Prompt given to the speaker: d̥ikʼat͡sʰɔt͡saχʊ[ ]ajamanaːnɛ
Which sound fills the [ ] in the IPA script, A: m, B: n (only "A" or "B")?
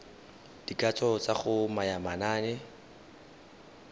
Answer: A